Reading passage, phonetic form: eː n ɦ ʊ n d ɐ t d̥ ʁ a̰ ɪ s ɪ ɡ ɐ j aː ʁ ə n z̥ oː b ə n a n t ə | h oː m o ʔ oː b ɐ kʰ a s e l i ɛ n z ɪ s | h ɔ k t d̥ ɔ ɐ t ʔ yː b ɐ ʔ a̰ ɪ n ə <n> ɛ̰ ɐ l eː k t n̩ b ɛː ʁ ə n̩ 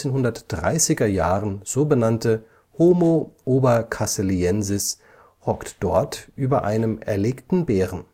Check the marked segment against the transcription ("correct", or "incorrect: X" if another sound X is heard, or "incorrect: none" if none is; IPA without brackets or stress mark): incorrect: m